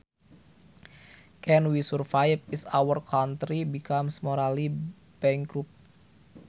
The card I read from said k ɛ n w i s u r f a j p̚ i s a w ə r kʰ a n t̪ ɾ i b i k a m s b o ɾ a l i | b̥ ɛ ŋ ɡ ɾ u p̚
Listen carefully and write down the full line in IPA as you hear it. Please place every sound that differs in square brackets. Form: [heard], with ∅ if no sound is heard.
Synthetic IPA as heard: k ɛ n w i s u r f a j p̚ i s a w ə r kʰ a n t̪ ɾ i b i k a m s [m] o ɾ a l i | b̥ ɛ ŋ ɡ ɾ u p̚